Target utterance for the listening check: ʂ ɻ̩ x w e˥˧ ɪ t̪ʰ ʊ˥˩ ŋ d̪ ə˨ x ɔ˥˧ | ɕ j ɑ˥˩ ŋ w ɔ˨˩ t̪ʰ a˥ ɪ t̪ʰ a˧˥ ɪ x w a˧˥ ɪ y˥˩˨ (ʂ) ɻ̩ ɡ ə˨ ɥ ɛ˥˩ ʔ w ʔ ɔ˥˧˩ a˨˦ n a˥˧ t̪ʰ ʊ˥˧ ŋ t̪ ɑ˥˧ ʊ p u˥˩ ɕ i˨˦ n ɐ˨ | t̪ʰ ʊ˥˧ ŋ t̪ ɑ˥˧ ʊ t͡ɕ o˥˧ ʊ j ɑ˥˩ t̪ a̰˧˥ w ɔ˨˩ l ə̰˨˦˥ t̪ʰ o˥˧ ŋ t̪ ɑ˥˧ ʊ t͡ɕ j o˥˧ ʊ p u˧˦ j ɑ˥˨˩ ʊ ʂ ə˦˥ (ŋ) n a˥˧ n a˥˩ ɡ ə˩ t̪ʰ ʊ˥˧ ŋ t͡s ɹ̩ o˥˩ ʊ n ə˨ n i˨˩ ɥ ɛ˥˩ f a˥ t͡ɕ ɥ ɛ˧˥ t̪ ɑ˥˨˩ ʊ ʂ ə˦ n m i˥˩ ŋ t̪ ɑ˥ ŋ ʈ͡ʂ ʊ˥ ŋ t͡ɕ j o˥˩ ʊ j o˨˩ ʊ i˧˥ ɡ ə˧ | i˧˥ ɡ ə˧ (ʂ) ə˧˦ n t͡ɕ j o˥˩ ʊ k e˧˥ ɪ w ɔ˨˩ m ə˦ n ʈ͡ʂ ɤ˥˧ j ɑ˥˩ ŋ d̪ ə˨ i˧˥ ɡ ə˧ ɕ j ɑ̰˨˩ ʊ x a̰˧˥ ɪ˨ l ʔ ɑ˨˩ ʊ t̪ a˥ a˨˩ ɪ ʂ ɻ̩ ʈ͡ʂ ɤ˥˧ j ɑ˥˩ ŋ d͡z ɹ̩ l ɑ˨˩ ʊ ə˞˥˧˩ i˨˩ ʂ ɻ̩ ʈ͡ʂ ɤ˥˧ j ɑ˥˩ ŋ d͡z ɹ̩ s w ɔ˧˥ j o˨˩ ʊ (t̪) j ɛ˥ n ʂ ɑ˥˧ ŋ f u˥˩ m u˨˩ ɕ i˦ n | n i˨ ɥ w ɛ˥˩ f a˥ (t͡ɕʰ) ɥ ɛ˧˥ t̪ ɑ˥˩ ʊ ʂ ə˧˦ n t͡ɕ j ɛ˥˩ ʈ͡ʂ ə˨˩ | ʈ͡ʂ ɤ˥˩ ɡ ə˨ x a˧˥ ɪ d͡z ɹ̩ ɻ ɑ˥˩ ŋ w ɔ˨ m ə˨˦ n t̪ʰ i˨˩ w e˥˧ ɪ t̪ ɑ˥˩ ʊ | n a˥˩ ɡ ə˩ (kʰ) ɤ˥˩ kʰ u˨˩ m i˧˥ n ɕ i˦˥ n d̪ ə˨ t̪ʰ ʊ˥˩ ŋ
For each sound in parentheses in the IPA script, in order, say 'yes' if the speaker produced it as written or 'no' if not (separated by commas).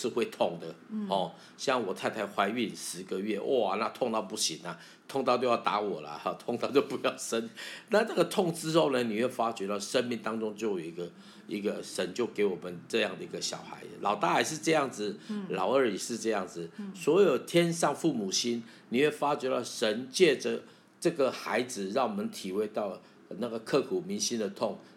yes, no, yes, no, no, yes